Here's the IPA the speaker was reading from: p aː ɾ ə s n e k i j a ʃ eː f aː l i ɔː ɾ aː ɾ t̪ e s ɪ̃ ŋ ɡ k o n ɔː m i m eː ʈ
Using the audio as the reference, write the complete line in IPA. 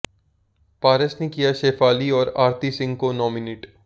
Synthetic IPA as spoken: p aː ɾ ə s n e k i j a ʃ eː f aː l i ɔː ɾ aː ɾ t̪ i s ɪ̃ ŋ ɡ k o n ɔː m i n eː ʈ